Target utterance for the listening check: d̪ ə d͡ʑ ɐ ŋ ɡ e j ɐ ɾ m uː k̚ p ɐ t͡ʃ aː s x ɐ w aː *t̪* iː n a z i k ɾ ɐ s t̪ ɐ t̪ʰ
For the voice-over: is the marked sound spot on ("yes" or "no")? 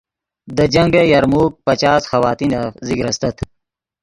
yes